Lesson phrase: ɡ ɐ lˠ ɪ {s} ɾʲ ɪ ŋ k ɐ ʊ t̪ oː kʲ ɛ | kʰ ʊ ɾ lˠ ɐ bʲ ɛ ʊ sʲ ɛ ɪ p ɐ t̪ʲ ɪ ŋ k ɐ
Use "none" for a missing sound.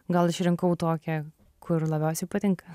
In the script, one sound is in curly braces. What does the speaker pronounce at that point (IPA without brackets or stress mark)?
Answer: ʃ